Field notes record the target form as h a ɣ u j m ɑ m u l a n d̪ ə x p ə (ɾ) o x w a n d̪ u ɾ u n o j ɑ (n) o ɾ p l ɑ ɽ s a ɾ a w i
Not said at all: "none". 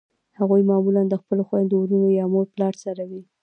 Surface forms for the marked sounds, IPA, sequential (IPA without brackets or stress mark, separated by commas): l, m